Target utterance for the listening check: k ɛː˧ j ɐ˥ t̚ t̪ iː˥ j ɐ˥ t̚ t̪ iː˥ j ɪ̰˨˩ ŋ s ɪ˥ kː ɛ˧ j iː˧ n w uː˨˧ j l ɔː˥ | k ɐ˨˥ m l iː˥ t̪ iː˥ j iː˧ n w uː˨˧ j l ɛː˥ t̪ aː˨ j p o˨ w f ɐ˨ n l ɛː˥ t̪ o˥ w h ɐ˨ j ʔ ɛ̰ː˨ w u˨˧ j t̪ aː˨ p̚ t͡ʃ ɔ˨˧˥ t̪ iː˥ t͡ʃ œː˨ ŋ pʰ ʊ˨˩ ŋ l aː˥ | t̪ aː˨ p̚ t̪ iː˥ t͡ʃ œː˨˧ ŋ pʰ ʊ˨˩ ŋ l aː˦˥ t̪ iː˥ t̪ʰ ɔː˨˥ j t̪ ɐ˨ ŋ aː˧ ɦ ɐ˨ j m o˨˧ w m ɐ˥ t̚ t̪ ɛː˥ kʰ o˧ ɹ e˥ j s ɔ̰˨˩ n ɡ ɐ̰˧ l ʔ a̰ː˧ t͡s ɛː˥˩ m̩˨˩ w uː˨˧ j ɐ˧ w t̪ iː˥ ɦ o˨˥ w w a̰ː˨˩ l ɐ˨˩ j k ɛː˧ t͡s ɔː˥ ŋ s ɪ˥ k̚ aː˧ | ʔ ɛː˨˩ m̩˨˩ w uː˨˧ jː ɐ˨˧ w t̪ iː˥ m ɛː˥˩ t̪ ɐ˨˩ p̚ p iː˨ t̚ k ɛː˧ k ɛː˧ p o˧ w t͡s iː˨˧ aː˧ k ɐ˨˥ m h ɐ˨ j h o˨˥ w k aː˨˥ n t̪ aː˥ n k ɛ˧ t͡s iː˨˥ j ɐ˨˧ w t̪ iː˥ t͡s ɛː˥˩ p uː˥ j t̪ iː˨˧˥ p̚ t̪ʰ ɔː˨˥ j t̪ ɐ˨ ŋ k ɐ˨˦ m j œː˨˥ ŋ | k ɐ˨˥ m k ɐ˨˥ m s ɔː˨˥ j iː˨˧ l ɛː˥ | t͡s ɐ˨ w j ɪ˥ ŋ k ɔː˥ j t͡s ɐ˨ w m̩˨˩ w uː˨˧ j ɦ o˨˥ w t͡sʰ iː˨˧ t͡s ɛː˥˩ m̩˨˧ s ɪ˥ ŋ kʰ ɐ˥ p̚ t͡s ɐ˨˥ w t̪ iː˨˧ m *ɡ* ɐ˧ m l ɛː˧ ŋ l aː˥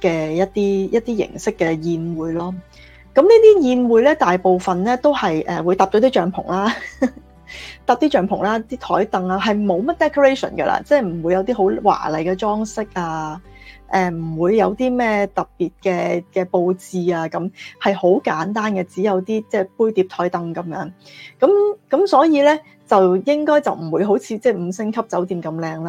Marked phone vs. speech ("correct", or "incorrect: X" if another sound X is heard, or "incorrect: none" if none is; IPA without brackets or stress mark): incorrect: k